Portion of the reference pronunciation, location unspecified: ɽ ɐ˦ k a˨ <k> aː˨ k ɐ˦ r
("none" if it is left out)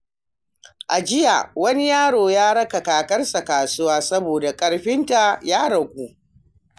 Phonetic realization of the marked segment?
k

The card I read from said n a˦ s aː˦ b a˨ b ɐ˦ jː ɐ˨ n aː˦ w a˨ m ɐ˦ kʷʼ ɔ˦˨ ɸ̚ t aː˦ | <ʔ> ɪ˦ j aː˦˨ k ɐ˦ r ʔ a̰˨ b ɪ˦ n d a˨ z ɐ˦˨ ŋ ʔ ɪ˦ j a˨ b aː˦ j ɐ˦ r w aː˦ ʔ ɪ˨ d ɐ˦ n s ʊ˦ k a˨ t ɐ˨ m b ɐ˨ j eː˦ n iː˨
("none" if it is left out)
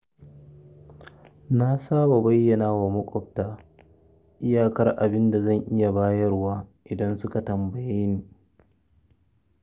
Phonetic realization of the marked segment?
ʔ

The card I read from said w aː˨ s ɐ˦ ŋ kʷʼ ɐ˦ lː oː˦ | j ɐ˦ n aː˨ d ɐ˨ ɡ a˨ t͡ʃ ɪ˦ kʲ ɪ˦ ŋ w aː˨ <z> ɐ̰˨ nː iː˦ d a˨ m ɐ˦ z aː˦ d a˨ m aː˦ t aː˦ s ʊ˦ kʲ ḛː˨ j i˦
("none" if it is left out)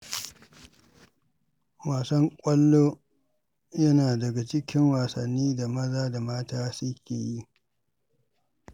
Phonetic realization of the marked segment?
s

